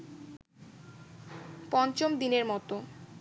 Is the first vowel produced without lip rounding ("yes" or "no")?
no